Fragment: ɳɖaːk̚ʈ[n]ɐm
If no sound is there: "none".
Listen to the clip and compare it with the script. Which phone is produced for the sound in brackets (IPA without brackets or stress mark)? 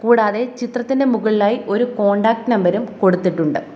n